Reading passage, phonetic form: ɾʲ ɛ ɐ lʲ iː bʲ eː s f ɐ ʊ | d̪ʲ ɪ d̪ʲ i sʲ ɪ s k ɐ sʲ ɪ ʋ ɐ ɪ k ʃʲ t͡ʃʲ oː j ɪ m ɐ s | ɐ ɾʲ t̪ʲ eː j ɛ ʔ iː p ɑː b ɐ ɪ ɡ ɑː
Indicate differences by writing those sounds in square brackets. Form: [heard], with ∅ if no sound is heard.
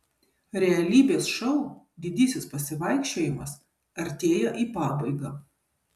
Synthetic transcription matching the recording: ɾʲ ɛ ɐ lʲ iː bʲ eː s [ʃ] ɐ ʊ | d̪ʲ ɪ d̪ʲ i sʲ ɪ s [p] ɐ sʲ ɪ ʋ ɐ ɪ k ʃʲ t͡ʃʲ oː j ɪ m ɐ s | ɐ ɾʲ t̪ʲ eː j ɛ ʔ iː p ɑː b ɐ ɪ ɡ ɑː